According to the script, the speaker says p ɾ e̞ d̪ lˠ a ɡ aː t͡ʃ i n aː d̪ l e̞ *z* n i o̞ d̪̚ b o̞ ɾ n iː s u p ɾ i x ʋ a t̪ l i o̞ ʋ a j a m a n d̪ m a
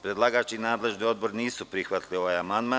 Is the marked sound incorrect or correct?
incorrect